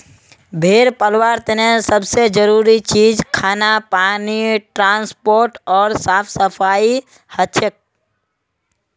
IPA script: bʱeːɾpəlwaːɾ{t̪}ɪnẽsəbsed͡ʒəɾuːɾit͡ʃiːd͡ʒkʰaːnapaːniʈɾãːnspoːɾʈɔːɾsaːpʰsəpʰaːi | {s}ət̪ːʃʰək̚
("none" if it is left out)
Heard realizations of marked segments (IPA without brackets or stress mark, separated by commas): t̪, h